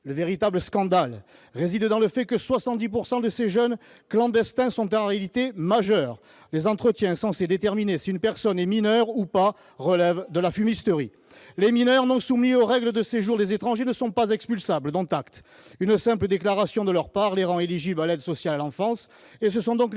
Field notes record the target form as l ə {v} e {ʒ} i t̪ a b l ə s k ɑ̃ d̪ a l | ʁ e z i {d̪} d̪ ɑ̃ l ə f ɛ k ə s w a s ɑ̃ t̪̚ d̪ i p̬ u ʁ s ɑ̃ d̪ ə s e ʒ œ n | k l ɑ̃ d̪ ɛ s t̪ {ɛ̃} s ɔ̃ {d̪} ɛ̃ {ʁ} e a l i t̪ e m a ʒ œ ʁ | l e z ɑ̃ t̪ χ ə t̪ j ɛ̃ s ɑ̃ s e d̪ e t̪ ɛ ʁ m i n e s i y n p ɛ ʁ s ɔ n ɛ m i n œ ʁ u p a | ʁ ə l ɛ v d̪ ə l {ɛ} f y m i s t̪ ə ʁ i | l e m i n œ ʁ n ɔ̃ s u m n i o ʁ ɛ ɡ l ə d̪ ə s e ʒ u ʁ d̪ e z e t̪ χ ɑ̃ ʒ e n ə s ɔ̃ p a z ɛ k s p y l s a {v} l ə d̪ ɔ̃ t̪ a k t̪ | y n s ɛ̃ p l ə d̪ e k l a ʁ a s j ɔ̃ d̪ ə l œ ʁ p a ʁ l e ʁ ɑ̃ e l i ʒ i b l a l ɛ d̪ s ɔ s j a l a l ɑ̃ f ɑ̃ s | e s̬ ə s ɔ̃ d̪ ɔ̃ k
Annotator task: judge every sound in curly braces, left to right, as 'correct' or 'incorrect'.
correct, incorrect: ʁ, correct, correct, incorrect: t̪, correct, incorrect: a, incorrect: b

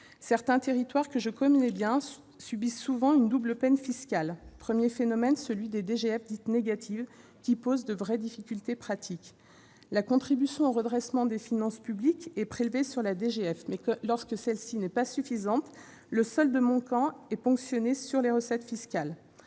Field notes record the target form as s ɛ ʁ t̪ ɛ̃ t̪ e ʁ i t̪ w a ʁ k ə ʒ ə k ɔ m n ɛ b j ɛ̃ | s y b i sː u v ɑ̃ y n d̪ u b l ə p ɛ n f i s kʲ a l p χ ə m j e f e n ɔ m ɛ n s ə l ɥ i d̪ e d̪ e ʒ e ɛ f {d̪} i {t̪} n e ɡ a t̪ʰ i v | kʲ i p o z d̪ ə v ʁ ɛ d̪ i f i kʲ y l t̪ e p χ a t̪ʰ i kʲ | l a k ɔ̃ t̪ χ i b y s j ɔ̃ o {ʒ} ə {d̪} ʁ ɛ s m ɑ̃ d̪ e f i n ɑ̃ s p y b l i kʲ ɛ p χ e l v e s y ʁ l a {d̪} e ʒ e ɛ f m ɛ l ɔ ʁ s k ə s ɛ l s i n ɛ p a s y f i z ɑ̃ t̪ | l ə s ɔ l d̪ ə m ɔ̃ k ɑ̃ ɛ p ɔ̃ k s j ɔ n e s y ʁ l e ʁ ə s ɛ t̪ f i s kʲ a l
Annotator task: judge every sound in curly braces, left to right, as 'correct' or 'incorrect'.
correct, correct, incorrect: ʁ, correct, correct

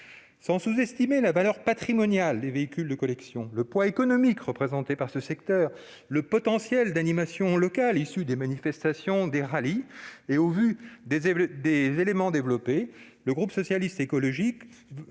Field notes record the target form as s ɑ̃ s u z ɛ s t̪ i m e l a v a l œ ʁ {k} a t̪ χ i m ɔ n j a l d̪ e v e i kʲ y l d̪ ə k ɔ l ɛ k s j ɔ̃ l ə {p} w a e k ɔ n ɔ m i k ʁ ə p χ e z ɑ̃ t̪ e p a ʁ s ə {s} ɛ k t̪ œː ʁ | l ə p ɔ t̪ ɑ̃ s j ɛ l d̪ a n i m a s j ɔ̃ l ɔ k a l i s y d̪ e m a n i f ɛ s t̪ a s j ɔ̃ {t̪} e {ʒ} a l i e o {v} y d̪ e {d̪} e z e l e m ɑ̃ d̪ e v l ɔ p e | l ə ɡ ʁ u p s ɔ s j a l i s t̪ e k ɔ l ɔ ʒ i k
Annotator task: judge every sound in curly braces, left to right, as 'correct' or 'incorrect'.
incorrect: p, correct, correct, incorrect: d̪, incorrect: ʁ, correct, correct

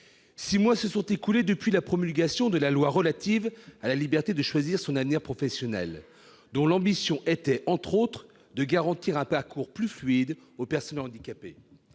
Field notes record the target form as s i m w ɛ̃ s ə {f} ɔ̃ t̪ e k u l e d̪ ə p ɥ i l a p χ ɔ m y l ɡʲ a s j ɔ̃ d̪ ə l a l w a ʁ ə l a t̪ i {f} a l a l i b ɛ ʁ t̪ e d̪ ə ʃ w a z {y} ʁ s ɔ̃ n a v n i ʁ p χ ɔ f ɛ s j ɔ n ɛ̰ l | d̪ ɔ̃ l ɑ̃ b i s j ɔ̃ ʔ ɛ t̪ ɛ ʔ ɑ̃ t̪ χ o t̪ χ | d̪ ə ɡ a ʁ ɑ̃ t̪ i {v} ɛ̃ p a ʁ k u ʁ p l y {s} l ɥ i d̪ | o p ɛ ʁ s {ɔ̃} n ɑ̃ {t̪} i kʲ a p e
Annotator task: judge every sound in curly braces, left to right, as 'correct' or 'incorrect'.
incorrect: s, incorrect: v, incorrect: i, incorrect: ʁ, incorrect: f, incorrect: ɔ, incorrect: d̪

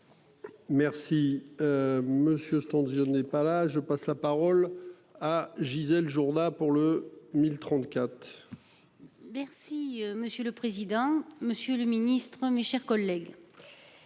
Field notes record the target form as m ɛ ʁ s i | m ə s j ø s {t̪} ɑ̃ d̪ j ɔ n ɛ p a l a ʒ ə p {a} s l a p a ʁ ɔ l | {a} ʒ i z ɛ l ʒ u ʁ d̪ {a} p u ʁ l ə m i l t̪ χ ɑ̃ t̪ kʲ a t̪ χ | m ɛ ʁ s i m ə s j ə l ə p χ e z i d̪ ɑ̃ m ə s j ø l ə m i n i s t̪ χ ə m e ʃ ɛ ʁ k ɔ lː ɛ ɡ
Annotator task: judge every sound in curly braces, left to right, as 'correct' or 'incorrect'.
correct, correct, correct, correct

